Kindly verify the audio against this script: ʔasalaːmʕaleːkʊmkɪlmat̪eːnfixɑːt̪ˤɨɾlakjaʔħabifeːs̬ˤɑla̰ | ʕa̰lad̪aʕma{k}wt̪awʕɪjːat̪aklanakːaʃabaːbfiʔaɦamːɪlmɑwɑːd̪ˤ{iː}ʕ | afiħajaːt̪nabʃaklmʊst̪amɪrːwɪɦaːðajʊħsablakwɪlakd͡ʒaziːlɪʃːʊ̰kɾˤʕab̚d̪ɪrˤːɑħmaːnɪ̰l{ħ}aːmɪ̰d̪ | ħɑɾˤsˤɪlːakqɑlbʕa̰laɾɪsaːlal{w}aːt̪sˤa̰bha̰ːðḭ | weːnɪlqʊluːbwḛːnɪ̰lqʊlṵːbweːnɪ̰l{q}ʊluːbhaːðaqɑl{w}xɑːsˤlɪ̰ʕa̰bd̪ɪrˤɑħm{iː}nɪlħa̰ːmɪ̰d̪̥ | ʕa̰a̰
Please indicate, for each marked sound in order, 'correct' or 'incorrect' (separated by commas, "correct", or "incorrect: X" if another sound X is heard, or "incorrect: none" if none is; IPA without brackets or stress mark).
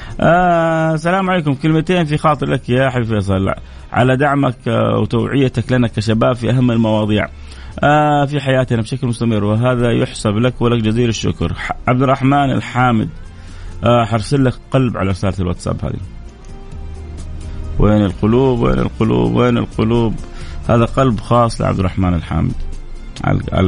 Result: correct, correct, correct, correct, correct, incorrect: b, incorrect: aː